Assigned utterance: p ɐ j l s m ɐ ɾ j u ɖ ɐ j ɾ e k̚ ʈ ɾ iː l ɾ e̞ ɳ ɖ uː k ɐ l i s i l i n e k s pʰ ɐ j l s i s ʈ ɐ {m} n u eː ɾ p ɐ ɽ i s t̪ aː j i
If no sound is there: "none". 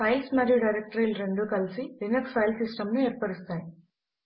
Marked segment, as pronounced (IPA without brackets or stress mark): m